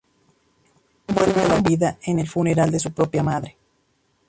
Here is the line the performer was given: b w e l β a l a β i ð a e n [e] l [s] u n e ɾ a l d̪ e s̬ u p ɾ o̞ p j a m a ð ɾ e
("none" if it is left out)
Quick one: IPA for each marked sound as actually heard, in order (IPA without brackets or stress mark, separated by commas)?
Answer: e, f